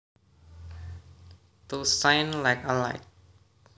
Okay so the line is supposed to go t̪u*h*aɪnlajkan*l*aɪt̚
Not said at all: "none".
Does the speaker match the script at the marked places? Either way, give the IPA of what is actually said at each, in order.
s, l

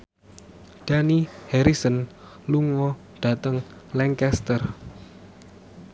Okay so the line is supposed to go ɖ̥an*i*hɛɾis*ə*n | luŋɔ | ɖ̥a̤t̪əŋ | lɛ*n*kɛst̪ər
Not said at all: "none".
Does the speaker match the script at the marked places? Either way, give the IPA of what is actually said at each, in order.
i, ə, ŋ

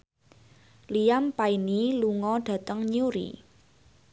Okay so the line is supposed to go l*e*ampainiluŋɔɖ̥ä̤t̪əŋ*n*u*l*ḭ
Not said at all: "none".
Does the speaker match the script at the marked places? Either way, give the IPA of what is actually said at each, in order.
i, ɲ, ɾ

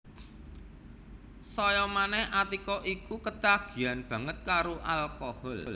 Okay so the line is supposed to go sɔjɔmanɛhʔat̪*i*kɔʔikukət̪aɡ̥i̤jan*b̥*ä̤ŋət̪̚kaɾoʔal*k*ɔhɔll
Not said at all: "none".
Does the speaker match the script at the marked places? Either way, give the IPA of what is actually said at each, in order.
i, b̥, k

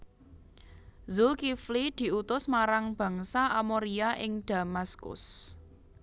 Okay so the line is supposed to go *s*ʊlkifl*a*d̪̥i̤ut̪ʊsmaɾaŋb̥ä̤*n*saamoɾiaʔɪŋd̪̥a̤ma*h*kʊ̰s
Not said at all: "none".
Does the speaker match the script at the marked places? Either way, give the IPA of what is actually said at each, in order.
z, i, ŋ, s

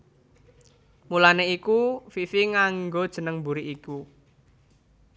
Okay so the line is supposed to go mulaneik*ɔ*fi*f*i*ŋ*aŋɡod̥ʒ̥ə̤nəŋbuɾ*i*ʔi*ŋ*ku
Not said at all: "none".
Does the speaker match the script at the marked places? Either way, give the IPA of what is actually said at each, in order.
u, f, ŋ, i, none

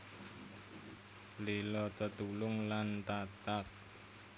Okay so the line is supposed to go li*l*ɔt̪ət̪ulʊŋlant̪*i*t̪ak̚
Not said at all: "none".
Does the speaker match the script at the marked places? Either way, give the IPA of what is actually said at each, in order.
l, a

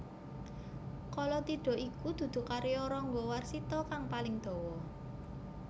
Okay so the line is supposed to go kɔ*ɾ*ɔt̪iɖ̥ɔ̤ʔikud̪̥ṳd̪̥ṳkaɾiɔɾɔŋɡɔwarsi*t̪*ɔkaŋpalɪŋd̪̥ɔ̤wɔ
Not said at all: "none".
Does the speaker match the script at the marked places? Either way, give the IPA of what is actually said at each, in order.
l, t̪

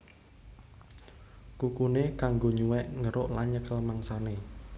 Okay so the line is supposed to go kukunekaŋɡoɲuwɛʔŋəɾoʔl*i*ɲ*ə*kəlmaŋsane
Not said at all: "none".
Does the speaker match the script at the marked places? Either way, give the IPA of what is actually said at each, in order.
a, ə

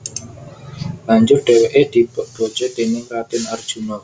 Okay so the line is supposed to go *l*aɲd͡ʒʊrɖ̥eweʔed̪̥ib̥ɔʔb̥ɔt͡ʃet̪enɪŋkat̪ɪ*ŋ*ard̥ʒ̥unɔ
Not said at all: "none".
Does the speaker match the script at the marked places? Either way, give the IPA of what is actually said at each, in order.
l, n

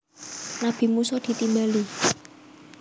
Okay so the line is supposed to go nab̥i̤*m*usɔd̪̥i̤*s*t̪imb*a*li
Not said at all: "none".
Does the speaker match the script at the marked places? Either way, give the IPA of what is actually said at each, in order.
m, none, a

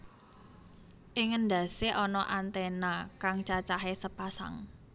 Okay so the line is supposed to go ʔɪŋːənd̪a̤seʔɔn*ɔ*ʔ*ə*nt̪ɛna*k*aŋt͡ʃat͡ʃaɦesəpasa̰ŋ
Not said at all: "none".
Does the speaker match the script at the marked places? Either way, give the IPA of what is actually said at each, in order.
ɔ, a, k

